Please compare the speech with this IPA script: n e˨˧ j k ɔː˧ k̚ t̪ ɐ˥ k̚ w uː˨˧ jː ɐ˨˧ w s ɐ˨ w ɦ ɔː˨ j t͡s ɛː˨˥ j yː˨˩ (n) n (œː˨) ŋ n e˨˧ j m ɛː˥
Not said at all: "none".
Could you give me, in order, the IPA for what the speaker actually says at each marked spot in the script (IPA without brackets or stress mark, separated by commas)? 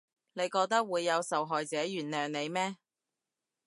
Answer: n, œː˨